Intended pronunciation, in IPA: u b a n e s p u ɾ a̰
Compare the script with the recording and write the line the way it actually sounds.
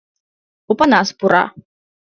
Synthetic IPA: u p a n a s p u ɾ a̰